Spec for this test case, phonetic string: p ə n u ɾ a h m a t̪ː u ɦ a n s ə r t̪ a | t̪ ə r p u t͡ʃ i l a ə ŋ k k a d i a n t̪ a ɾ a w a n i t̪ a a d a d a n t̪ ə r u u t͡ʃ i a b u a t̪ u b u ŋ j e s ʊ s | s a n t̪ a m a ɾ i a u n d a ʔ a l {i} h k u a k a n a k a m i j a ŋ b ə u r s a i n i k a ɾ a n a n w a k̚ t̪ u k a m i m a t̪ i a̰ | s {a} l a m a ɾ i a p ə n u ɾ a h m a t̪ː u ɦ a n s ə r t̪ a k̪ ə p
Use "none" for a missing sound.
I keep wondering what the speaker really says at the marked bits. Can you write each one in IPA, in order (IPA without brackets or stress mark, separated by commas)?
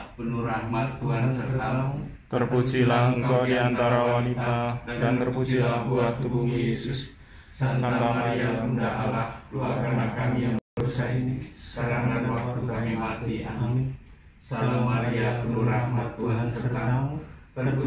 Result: a, a